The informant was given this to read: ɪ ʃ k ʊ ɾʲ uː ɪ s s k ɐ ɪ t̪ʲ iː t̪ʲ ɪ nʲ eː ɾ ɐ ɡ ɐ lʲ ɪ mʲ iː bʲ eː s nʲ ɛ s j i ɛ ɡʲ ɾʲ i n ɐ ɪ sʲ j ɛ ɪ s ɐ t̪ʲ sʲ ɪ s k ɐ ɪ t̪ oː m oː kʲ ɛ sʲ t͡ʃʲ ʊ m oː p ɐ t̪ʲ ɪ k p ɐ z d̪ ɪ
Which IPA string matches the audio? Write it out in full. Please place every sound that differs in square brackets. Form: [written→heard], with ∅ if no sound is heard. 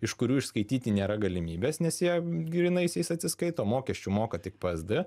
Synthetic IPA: ɪ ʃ k ʊ ɾʲ uː ɪ [s→ʃ] s k ɐ ɪ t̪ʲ iː t̪ʲ ɪ nʲ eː ɾ ɐ ɡ ɐ lʲ ɪ mʲ iː bʲ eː s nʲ ɛ s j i ɛ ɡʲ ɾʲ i n ɐ ɪ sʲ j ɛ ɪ s ɐ t̪ʲ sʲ ɪ s k ɐ ɪ t̪ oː m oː kʲ ɛ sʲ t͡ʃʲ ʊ m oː [p→k] ɐ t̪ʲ ɪ k p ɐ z d̪ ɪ